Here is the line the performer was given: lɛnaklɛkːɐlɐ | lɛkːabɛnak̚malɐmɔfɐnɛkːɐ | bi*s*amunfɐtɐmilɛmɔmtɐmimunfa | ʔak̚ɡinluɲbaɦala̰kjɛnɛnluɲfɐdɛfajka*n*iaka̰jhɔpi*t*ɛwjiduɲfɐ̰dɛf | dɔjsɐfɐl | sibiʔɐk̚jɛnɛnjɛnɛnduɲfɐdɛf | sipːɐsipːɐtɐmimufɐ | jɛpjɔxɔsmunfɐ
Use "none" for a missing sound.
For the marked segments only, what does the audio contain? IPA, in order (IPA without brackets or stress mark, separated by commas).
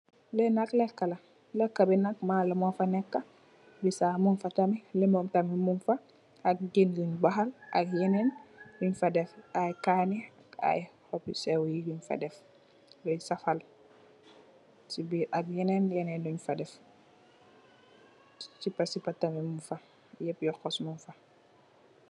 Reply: s, n, s